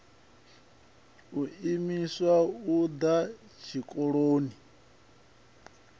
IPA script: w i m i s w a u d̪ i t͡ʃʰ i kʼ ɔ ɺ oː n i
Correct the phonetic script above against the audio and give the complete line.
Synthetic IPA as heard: u i m i s w a u d̪ a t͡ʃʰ i kʼ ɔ ɺ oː n i